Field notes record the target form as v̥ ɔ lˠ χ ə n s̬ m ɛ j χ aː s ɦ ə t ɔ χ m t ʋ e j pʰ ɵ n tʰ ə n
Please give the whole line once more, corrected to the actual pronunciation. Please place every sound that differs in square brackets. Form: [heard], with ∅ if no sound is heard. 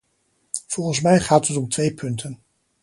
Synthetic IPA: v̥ ɔ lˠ χ ə n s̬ m ɛ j χ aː [t] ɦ ə t ɔ [∅] m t ʋ e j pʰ ɵ n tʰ ə n